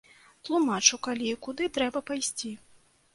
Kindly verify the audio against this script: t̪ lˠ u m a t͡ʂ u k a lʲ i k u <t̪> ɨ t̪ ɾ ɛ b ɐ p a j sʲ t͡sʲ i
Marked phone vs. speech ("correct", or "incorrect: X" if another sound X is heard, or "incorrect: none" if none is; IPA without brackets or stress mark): incorrect: d̪